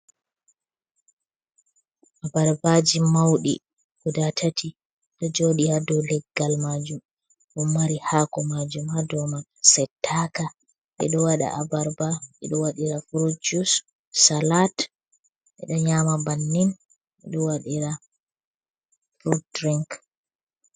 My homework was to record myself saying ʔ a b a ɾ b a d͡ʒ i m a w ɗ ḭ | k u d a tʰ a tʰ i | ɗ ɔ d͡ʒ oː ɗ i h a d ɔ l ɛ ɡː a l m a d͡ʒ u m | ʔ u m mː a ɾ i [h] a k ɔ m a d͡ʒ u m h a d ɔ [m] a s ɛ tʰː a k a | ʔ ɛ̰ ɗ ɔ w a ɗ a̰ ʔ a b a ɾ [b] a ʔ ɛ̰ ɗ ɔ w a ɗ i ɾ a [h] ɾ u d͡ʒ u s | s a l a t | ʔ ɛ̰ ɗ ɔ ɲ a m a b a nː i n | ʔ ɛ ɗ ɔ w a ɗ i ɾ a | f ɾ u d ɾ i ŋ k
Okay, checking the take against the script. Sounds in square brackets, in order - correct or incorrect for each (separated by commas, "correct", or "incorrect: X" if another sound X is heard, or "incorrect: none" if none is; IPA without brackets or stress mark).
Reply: correct, correct, correct, incorrect: f